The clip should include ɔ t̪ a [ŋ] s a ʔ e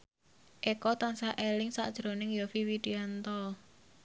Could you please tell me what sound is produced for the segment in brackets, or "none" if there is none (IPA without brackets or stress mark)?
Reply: n